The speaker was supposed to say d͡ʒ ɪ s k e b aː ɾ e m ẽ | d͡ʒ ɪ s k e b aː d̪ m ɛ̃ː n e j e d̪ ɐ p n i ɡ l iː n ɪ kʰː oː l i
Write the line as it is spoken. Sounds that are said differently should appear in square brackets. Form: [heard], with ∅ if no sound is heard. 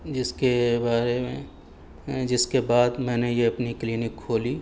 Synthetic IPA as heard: d͡ʒ ɪ s k e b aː ɾ e m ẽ | d͡ʒ ɪ s k e b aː d̪ m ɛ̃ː n e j e [∅] ɐ p n i [k] l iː n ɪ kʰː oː l i